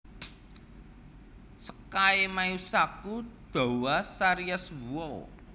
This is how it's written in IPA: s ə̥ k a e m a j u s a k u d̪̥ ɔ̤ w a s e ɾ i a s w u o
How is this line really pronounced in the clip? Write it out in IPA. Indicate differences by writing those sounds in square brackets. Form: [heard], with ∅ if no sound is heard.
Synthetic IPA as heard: s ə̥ k a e m a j u s a k u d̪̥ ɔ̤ w a s [a] ɾ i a s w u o